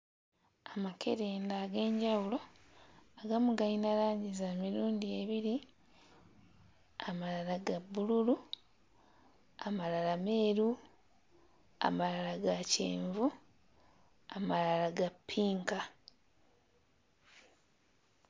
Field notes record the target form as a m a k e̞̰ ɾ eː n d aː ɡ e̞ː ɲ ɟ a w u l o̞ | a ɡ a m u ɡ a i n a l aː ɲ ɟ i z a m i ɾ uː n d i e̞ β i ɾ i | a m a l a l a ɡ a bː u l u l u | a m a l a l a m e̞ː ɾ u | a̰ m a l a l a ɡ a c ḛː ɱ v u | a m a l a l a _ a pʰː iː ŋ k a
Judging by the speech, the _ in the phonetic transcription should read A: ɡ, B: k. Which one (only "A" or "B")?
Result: A